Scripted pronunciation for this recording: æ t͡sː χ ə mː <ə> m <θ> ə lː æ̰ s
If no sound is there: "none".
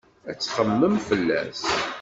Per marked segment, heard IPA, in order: ə, f

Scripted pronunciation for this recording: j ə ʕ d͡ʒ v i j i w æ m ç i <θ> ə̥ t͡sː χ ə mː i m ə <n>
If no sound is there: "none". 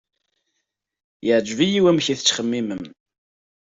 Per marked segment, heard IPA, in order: θ, m

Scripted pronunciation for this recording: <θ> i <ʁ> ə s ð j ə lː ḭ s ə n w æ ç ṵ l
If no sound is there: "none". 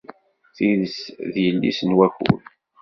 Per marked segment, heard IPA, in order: θ, ð

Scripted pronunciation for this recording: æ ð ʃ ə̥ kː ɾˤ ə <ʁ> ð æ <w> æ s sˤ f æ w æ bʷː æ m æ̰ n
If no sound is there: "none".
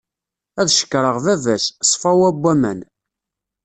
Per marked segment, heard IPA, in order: ʁ, v

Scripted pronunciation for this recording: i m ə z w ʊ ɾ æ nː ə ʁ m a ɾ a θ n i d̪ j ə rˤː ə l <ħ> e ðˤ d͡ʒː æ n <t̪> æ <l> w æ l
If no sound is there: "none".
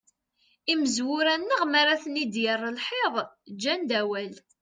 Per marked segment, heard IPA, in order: ħ, d̪, none

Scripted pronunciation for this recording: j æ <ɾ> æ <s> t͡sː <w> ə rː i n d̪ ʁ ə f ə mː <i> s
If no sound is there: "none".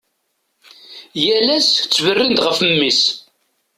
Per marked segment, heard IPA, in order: l, s, v, i

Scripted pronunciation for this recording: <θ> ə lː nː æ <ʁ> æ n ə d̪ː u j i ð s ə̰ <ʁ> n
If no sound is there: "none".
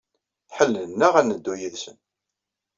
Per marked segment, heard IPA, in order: ħ, ʁ, none

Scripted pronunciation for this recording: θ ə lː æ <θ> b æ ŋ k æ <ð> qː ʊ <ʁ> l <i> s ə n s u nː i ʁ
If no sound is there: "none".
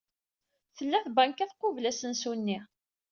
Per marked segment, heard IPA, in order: θ, θ, v, æ

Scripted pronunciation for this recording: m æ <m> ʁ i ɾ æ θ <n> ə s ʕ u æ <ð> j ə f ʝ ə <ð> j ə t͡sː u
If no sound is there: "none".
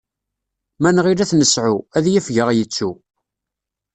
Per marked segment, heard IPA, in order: n, n, ð, ʁ

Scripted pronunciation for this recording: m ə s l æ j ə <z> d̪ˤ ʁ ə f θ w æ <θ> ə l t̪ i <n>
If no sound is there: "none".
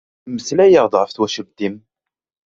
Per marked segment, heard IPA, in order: ʁ, ʃ, m

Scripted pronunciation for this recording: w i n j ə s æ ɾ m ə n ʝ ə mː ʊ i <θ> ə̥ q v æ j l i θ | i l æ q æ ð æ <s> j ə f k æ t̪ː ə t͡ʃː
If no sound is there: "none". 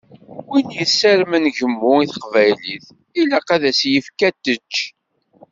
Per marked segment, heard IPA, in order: θ, s

